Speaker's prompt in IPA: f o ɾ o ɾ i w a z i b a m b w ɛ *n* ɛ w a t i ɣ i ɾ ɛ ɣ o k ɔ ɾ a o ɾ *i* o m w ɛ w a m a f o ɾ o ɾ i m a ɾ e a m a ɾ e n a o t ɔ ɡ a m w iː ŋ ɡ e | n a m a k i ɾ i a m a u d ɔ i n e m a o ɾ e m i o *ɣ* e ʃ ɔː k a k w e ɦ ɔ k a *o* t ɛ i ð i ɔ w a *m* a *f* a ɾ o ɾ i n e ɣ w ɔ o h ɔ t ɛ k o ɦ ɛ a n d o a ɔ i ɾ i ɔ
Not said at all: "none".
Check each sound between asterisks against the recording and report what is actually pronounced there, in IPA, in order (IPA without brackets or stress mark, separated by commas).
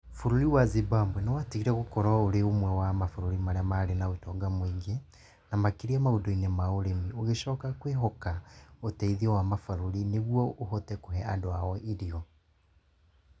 n, e, ɣ, o, m, f